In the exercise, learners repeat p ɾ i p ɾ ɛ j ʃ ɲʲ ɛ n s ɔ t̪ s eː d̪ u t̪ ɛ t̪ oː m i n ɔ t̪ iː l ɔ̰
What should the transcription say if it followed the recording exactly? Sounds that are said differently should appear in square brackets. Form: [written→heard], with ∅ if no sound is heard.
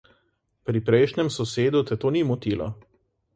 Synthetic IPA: p ɾ i p ɾ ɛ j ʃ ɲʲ ɛ [n→m] s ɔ [t̪→∅] s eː d̪ u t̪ ɛ t̪ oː [m→n] i [n→m] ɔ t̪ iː l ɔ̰